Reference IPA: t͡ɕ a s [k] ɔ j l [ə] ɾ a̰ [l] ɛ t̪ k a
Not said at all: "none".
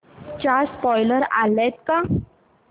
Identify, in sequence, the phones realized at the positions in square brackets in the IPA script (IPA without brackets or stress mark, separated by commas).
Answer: p, ə, l